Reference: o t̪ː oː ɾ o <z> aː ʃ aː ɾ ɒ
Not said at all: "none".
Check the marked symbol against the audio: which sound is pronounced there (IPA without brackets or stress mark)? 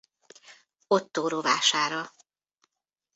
v